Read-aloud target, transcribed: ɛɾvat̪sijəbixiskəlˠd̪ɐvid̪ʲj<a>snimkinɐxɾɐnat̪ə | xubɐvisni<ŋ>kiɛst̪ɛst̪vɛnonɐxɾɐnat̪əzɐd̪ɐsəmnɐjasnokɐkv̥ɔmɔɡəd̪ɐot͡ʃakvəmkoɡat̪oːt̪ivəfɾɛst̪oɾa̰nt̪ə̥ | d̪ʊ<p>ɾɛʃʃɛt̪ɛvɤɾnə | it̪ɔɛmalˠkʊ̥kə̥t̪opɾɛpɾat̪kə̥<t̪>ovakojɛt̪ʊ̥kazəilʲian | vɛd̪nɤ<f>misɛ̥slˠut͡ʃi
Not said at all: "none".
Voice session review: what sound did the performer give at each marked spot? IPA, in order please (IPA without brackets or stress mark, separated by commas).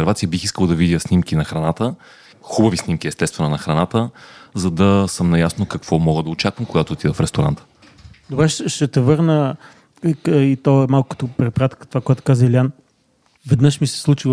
ə, m, b, t̪, ʃ